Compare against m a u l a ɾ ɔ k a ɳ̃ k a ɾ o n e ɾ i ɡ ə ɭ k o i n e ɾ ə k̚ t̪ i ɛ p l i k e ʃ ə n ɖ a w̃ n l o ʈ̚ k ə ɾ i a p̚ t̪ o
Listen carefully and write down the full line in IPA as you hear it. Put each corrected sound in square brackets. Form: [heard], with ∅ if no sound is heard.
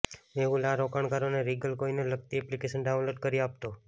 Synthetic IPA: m [e] u l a ɾ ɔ k a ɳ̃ k a ɾ o n e ɾ i ɡ ə [l] k o i n e [l] ə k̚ t̪ i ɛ p l i k e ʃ ə n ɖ a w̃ n l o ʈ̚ k ə ɾ i a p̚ t̪ o